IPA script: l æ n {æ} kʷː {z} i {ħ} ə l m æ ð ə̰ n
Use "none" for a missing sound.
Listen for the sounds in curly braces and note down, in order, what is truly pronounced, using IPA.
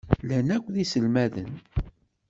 æ, ð, s

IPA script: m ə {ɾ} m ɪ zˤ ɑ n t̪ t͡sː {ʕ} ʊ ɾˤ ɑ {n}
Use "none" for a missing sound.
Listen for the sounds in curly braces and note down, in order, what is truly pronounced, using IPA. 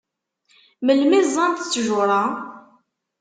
l, ʒ, none

